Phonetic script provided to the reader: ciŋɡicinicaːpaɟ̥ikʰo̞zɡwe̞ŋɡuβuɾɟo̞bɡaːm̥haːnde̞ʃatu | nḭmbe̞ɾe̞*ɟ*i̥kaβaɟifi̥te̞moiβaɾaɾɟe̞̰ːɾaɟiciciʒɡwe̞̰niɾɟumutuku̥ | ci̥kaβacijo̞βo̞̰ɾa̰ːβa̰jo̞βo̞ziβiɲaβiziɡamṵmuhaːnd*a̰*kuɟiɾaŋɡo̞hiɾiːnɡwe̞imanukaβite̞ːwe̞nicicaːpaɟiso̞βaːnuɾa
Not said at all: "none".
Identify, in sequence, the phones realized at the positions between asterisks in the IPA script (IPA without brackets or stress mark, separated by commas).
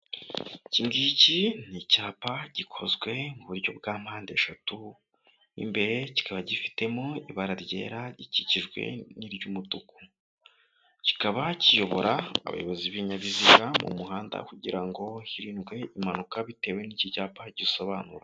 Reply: c, a̰